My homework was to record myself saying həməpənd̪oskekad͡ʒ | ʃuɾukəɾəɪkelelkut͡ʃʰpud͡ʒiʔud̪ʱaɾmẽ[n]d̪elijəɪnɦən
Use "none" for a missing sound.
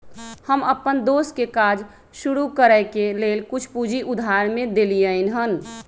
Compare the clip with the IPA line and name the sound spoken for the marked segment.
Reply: none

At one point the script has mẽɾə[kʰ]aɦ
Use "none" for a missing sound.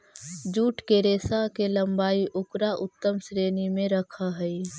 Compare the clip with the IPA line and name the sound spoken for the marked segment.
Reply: kʰ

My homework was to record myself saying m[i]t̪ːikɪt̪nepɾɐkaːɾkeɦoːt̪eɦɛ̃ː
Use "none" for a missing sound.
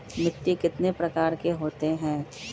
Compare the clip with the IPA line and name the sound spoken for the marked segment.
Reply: ɪ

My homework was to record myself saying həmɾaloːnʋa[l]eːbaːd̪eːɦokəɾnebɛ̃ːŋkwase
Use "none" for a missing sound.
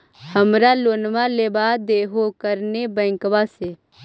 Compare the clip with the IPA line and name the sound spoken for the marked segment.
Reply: l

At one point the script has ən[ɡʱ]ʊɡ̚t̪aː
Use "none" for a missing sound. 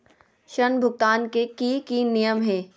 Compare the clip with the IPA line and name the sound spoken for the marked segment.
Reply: bʱ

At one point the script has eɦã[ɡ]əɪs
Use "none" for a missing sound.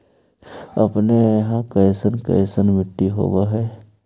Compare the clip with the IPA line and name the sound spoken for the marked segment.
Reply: k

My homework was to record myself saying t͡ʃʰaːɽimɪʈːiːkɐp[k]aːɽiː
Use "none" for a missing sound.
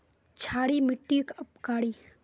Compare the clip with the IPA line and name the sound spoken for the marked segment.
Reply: k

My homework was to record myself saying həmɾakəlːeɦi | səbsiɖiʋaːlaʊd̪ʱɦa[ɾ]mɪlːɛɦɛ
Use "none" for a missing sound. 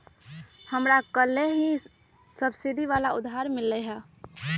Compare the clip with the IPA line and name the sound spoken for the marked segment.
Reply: ɾ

